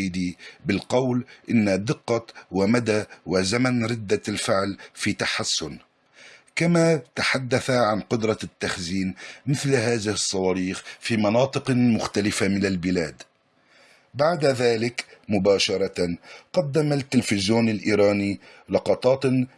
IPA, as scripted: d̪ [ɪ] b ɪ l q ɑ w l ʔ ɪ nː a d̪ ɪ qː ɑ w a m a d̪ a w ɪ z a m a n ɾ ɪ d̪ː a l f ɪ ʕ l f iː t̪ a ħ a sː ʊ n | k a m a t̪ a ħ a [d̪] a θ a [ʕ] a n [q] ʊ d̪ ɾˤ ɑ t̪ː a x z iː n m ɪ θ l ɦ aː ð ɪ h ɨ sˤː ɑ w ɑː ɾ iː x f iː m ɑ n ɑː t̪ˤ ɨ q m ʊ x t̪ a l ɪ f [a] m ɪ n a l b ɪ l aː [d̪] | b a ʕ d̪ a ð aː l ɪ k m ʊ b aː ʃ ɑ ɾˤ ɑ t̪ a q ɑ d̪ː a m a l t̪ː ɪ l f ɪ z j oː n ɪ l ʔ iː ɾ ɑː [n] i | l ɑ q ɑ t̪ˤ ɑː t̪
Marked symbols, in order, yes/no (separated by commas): no, no, yes, yes, yes, yes, yes